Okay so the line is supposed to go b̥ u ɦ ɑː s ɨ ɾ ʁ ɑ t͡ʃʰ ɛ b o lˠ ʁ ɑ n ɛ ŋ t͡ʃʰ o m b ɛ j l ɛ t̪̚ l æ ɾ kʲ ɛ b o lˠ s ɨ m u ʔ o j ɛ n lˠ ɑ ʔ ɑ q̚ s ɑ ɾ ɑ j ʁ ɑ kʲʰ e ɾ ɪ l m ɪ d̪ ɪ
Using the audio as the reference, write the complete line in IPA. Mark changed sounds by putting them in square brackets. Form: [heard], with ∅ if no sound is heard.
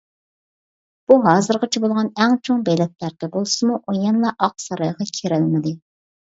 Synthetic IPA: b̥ u ɦ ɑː [z] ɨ ɾ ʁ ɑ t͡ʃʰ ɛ b o lˠ ʁ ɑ n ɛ ŋ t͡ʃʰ o [ŋ] b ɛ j l ɛ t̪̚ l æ ɾ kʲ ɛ b o lˠ s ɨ m u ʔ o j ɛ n lˠ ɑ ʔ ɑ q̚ s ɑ ɾ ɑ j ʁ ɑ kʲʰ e ɾ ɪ l m ɪ d̪ ɪ